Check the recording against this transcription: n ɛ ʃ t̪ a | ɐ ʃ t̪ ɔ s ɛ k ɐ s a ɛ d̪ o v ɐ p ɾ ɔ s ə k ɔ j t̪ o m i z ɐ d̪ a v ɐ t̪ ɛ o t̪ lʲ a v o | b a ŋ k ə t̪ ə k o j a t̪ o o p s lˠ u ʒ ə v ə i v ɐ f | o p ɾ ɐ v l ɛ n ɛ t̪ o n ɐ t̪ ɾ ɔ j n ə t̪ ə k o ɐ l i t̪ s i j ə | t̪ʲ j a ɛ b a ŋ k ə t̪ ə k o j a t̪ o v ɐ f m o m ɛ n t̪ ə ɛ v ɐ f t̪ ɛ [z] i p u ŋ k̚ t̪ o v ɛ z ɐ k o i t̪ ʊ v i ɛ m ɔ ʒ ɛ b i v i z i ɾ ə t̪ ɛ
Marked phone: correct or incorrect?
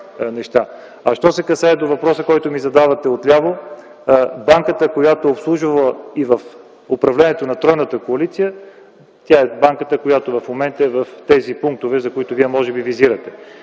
correct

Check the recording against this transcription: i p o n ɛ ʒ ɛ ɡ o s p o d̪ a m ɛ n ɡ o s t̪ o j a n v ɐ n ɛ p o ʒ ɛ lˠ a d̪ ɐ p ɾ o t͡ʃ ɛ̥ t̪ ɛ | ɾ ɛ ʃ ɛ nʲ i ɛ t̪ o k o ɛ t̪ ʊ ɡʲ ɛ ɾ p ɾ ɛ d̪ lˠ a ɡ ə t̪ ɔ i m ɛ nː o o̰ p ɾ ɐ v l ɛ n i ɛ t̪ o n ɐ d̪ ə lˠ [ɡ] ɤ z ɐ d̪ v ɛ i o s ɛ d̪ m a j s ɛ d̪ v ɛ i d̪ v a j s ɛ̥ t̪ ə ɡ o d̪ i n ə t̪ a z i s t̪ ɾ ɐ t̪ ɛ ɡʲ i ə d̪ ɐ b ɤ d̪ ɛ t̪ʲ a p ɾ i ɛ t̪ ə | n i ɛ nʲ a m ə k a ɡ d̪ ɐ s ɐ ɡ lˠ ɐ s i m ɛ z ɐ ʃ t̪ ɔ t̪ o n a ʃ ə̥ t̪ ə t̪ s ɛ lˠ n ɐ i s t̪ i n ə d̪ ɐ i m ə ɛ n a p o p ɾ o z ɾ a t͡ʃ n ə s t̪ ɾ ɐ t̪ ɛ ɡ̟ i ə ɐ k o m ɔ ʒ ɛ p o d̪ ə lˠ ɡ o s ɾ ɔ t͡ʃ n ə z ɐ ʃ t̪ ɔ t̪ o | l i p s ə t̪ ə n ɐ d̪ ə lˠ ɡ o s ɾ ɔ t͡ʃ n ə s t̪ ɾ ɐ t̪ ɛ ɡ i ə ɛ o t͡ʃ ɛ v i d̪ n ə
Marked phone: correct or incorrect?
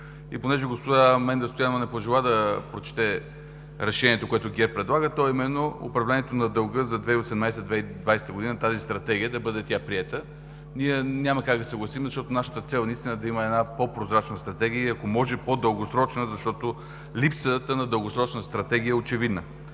correct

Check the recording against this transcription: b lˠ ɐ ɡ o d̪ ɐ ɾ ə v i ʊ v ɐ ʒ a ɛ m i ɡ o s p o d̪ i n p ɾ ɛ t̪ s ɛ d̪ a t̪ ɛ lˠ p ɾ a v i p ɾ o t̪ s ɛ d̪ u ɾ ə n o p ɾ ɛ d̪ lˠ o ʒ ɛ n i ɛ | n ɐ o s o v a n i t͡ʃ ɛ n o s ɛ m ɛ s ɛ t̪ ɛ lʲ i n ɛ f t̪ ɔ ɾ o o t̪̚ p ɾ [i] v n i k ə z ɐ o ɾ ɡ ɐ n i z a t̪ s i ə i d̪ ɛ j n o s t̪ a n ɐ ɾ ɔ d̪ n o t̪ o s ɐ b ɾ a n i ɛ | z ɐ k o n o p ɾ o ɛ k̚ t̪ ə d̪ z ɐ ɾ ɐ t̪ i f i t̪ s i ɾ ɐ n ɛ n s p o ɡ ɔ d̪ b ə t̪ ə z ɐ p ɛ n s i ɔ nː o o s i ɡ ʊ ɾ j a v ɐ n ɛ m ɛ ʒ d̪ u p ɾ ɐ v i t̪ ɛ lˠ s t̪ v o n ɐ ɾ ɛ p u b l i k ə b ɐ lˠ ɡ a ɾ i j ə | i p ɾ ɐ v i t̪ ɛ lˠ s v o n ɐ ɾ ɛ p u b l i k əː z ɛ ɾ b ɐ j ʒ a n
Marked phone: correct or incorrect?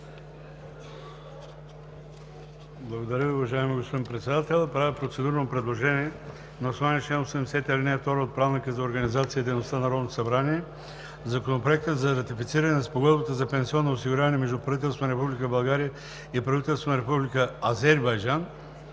incorrect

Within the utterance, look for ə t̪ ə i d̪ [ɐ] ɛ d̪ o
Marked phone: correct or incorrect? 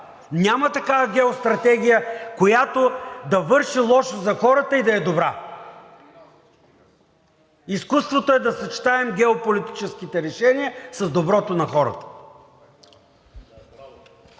correct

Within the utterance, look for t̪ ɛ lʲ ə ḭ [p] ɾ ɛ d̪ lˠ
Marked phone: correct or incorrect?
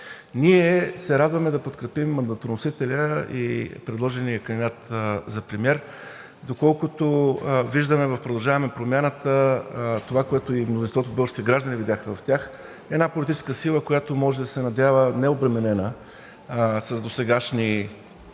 correct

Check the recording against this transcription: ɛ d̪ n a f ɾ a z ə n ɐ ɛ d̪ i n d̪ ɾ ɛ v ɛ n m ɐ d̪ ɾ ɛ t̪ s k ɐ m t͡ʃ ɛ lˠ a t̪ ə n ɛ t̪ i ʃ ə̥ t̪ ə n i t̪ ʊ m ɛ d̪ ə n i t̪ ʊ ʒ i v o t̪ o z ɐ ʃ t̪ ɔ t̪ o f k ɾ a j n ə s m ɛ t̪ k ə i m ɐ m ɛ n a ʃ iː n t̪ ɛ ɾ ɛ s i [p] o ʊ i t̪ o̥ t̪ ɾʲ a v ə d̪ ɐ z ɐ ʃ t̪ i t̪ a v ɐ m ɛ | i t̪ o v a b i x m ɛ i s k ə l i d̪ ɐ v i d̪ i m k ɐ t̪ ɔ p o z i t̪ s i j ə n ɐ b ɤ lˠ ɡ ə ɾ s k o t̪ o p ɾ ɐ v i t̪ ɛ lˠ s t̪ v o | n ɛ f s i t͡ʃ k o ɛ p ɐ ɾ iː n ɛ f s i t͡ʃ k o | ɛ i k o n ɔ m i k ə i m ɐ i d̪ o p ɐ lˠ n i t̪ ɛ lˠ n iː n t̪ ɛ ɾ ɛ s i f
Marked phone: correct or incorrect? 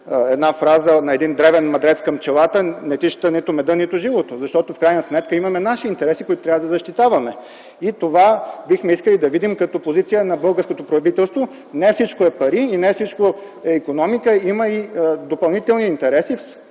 incorrect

